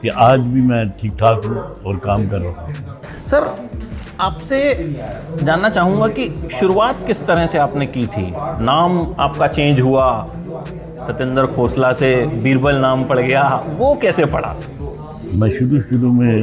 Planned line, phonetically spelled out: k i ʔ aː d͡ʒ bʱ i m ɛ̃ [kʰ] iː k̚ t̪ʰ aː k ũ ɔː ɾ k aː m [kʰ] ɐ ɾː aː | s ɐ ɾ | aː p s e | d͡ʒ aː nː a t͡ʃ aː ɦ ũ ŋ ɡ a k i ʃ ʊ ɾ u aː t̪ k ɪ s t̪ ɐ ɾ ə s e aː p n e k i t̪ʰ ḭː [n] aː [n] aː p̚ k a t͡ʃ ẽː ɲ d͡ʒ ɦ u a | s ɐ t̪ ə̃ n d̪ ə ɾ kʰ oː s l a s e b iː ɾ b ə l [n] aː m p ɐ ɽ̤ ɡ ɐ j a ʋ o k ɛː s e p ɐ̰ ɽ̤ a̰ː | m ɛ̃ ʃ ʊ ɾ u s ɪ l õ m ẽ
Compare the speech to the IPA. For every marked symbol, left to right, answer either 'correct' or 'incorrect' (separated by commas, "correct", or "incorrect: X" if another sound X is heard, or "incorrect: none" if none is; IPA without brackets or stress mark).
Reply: incorrect: ʈʰ, incorrect: k, correct, incorrect: m, correct